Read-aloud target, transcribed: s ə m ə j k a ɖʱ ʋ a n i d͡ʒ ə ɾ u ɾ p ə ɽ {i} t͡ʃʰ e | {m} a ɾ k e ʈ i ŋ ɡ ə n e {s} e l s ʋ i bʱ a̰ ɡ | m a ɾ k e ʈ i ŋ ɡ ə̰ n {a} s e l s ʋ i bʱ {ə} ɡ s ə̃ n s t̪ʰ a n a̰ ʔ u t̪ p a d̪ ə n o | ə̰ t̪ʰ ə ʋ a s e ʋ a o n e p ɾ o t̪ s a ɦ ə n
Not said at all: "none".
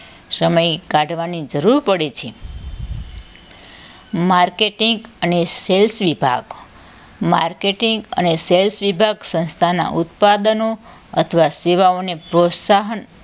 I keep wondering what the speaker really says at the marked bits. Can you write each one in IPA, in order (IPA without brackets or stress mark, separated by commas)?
e, m, s, e, a